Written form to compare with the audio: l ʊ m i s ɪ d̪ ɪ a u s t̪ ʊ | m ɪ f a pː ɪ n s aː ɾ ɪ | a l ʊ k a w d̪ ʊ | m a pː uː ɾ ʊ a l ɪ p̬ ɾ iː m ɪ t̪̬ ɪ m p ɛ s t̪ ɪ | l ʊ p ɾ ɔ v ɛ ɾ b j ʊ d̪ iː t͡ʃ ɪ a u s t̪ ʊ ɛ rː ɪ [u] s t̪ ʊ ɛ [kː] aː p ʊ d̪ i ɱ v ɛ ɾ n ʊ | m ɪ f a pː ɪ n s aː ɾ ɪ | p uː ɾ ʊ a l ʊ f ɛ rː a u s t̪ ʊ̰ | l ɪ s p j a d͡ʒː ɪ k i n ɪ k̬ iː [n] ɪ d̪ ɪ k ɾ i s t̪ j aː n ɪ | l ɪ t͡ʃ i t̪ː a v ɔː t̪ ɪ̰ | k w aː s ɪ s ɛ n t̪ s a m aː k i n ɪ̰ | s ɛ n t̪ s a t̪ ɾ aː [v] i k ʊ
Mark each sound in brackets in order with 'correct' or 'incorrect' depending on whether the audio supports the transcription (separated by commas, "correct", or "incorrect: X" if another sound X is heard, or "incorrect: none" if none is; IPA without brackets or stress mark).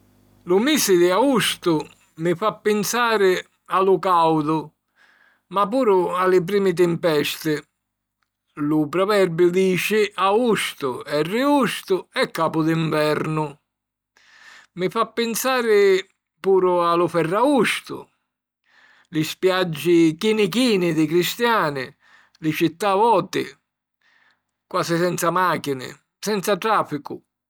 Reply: correct, correct, correct, incorrect: f